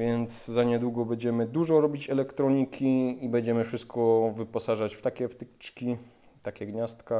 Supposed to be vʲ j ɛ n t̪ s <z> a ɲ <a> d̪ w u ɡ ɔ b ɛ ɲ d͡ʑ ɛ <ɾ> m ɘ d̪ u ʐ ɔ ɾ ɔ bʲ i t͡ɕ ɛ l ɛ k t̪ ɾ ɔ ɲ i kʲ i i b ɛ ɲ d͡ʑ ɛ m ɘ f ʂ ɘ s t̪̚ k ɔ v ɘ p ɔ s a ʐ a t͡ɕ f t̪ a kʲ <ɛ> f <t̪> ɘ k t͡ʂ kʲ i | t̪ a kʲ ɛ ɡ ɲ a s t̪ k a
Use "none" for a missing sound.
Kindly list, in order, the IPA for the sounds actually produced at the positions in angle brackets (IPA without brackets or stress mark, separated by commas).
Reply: z, ɛ, none, ɛ, t̪